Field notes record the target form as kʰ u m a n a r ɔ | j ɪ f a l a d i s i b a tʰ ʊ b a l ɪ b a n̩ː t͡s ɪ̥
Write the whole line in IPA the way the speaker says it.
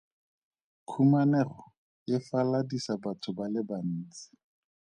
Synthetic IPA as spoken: kʰ u m a n ɛ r ɔ | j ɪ f a l a d i s a b a tʰ ʊ b a l ɪ b a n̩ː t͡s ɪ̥